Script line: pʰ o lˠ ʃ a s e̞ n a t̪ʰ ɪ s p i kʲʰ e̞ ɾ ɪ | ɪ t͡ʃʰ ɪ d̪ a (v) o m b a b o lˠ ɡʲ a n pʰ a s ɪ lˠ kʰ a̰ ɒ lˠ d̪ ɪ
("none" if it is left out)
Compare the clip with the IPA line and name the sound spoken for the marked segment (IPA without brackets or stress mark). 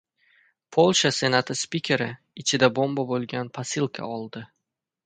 b